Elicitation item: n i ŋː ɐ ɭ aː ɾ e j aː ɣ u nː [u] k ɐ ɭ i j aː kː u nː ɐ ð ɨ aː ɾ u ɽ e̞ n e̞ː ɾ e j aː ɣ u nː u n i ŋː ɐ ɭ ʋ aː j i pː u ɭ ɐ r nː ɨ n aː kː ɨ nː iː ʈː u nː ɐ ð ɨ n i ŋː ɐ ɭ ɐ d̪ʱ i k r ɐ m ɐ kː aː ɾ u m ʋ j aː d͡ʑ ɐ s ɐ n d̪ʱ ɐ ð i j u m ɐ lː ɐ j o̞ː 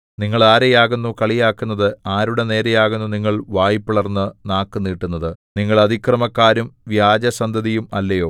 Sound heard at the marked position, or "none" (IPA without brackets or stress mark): u